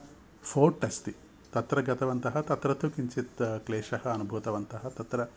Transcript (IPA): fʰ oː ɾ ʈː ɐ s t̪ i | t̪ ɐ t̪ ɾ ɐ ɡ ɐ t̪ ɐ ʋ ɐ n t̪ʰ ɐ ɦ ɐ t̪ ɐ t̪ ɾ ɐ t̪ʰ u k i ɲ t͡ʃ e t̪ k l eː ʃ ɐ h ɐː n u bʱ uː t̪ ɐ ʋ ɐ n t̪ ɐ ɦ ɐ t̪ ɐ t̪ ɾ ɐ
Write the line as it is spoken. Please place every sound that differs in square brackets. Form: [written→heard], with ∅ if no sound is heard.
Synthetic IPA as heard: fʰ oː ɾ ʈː ɐ s t̪ i | t̪ ɐ t̪ ɾ ɐ ɡ ɐ t̪ ɐ ʋ ɐ n [t̪ʰ→t̪] ɐ ɦ ɐ t̪ ɐ t̪ ɾ ɐ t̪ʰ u k i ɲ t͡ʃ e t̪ k l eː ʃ ɐ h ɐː n u bʱ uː t̪ ɐ ʋ ɐ n t̪ ɐ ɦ ɐ t̪ ɐ t̪ ɾ ɐ